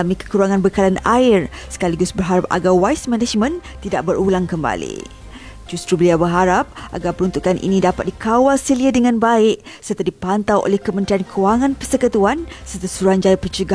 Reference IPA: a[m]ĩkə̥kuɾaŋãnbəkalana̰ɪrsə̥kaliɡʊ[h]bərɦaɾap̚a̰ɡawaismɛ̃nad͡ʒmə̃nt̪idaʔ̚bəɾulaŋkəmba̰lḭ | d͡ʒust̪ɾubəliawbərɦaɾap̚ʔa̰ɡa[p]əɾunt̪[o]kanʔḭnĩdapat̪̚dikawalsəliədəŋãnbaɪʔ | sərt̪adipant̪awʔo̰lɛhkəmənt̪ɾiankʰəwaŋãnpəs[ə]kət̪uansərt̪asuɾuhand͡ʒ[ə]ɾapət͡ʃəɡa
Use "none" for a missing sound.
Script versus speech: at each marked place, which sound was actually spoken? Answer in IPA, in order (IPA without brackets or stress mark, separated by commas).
m, s, p, u, ə, a